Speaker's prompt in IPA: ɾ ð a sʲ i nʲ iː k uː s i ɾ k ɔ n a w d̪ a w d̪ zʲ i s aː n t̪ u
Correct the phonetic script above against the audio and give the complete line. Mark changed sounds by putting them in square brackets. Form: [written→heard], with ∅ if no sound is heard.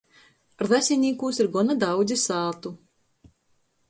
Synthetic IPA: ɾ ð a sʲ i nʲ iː k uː s i ɾ [k→ɡ] ɔ n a [w→∅] d̪ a w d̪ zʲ i s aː [n→∅] t̪ u